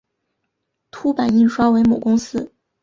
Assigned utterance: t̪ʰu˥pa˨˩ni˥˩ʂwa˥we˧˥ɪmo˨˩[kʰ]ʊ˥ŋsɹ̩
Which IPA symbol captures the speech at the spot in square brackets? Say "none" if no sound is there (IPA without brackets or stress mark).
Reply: k